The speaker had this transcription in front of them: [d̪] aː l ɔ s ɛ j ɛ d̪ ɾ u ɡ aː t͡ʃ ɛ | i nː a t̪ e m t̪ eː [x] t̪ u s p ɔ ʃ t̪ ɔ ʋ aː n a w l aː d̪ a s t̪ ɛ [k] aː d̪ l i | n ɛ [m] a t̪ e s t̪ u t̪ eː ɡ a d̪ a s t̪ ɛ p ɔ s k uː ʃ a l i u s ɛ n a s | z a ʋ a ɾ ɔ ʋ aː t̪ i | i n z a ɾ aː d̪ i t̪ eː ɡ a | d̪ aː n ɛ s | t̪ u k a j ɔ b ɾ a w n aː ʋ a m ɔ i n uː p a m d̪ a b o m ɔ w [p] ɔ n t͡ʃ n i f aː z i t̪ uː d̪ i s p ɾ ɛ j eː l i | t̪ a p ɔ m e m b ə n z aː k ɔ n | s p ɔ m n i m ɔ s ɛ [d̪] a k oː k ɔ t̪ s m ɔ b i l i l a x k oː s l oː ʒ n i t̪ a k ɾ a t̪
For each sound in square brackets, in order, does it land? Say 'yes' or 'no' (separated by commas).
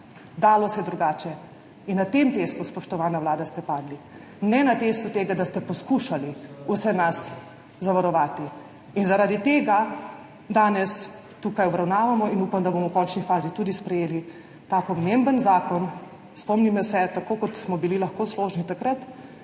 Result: yes, no, no, no, no, no